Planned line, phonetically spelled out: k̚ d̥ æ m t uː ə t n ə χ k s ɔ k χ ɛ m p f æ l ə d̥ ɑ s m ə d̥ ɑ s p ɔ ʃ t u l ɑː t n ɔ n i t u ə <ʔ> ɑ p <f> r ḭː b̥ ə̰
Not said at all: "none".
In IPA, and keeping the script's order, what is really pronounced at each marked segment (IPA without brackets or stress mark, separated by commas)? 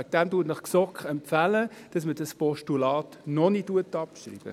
t, ʃ